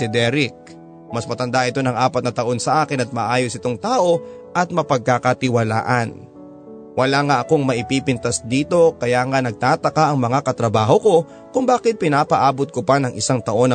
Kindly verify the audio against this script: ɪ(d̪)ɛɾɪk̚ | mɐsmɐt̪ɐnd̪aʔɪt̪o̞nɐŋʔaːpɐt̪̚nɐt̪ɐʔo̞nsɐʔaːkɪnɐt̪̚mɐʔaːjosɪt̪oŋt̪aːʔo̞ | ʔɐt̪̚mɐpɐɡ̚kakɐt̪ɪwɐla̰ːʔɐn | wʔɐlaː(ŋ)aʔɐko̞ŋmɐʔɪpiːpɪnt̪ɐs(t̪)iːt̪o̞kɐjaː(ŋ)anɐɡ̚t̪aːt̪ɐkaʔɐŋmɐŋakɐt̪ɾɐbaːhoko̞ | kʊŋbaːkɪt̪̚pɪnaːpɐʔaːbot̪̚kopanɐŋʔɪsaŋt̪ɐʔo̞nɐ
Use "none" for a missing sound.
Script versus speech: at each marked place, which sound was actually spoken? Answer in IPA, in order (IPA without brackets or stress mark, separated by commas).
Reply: d̪, ŋ, d̪, ŋ